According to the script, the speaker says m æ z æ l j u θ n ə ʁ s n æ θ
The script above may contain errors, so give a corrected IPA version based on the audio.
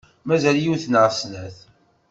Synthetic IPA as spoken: m æ z æ l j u θ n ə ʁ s n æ θ